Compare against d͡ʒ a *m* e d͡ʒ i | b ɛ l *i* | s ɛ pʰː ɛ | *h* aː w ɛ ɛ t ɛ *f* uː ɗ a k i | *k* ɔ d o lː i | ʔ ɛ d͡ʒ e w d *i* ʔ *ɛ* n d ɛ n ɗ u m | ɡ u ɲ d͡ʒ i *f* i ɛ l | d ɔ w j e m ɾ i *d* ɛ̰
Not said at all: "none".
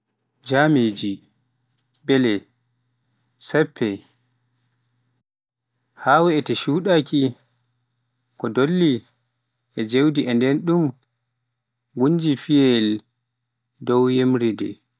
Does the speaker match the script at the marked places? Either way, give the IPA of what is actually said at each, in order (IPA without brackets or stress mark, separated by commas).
m, ɛ, h, ʃ, k, i, ɛ, f, d